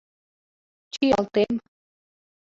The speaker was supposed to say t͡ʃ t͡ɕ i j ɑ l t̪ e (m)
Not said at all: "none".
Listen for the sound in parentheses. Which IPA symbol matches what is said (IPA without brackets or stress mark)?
m